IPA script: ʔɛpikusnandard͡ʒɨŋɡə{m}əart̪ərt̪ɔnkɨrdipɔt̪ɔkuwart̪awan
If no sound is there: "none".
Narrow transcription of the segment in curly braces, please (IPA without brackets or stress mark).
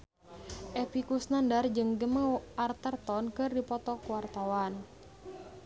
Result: m